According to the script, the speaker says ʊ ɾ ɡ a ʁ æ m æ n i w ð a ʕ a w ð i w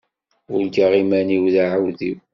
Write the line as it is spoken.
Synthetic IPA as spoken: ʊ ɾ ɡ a ʁ i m æ n i w ð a ʕ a w ð i w

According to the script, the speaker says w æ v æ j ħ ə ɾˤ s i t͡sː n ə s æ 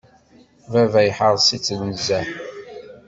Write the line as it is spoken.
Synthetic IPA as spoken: v æ v æ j ħ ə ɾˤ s i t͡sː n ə z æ

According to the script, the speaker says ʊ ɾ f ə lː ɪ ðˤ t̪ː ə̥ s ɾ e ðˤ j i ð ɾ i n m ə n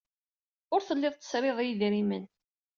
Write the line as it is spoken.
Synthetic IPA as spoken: ʊ ɾ θ ə lː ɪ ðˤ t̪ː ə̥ s ɾ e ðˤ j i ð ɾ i m ə n

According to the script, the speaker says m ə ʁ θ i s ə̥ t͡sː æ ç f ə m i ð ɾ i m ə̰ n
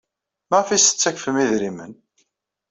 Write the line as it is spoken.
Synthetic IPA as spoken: m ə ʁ f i s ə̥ t͡sː æ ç f ə m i ð ɾ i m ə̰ n

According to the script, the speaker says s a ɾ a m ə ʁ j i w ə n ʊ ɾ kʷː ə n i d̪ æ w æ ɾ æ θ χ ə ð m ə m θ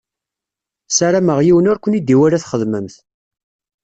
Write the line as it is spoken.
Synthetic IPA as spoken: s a ɾ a m ə ʁ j i w ə n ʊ ɾ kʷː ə n i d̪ i w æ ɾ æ θ χ ə ð m ə m θ

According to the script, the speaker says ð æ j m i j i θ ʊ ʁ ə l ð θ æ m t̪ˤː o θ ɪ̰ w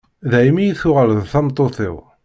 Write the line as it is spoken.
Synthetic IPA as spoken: ð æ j m i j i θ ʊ ʁ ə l ð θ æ m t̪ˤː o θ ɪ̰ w

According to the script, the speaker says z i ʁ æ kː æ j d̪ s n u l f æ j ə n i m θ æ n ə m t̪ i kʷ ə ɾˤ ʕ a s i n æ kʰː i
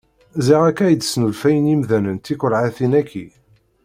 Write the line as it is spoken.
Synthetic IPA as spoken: z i ʁ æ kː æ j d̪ s n u l f æ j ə n i m ð æ n ə n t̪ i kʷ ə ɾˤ ʕ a θ i n æ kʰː i

